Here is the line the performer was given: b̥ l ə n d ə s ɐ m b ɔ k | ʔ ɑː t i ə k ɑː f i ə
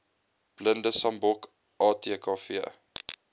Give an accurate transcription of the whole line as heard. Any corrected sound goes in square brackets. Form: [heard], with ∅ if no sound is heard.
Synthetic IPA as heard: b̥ l ə n d ə s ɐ m b ɔ k | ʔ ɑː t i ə k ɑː f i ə